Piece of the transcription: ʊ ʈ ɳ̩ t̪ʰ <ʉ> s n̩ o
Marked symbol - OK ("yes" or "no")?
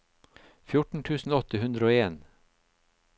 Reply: no